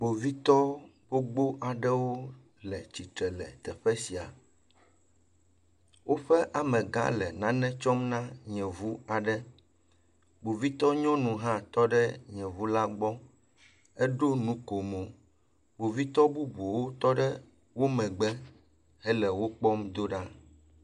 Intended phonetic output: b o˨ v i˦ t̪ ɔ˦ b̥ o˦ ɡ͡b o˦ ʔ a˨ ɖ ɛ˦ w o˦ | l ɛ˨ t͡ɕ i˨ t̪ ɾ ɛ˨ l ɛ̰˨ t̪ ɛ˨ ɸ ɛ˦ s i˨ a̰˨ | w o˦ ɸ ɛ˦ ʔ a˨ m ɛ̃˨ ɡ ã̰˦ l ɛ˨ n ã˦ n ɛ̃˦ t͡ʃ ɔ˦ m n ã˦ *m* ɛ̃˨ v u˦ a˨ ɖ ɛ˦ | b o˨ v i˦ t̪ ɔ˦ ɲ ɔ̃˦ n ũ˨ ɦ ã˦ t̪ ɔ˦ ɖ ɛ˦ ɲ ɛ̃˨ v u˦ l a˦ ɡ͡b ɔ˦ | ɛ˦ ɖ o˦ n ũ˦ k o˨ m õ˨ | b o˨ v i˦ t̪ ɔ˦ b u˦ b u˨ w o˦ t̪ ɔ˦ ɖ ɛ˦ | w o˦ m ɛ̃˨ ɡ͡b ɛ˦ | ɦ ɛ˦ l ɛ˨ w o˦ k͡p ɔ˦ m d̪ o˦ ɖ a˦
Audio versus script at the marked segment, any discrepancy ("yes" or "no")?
yes